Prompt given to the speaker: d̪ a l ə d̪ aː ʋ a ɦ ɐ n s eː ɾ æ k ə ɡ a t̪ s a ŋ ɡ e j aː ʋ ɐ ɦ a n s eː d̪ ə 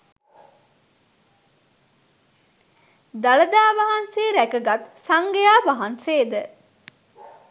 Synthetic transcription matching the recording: d̪ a l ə d̪ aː ʋ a ɦ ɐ n s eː ɾ æ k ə ɡ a t̪ s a ŋ ɡ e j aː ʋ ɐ ɦ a n s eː d̪ ə